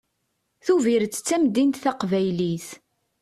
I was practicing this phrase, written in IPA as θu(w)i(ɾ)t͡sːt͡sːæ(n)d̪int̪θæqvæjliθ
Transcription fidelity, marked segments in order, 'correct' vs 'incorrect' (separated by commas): incorrect, correct, incorrect